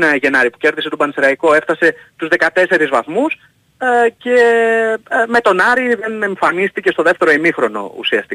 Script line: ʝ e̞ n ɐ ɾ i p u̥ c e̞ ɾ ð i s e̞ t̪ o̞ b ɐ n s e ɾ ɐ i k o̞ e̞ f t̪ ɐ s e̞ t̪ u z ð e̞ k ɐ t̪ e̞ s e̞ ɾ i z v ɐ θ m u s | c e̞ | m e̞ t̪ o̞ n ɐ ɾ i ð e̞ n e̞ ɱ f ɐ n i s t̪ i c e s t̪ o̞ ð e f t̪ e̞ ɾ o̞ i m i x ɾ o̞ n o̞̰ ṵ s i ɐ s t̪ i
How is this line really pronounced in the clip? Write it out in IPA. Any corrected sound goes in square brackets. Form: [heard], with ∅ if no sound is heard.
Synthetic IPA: ʝ e̞ n ɐ ɾ i p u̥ c e̞ ɾ ð i s e̞ t̪ o̞ b ɐ n s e ɾ ɐ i k o̞ e̞ f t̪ ɐ s e̞ t̪ u z ð e̞ k ɐ t̪ e̞ s e̞ ɾ i z v ɐ θ m u s | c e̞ | m e̞ t̪ o̞ n ɐ ɾ i ð e̞ n e̞ ɱ f ɐ n i s t̪ i c e s t̪ o̞ ð e f t̪ e̞ ɾ o̞ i m i x ɾ o̞ n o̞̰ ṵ s i ɐ s t̪ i